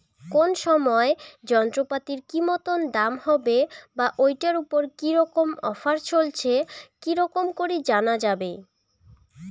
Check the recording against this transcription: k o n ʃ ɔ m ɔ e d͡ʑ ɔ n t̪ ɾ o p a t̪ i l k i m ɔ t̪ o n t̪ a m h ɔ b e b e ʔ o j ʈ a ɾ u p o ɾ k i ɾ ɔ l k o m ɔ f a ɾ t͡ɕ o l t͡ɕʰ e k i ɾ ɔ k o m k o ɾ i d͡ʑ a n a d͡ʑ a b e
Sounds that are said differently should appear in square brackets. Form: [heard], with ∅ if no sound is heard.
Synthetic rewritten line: k o n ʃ ɔ m ɔ e d͡ʑ ɔ n t̪ ɾ o p a t̪ i [ɾ] k i m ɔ t̪ o n [d̪] a m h ɔ b e b [a] ʔ o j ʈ a ɾ u p o ɾ k i ɾ ɔ [∅] k o m ɔ f a ɾ t͡ɕ o l t͡ɕʰ e k i ɾ ɔ k o m k o ɾ i d͡ʑ a n a d͡ʑ a b e